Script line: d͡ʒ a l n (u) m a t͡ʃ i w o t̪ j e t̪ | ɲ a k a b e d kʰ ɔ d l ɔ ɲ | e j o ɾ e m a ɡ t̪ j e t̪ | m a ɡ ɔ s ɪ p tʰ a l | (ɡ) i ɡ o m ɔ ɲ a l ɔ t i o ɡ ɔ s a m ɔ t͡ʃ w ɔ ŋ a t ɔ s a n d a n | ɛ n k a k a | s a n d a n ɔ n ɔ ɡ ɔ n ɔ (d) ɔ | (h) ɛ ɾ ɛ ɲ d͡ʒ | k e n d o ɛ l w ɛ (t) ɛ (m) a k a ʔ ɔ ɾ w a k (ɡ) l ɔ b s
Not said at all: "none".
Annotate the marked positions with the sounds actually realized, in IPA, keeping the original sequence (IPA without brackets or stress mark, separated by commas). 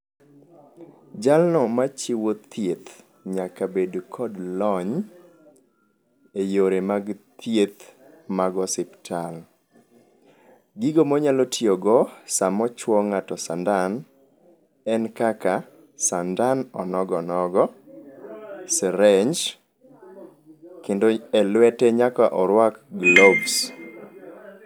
ɔ, ɡ, ɡ, s, t, ɲ, ɡ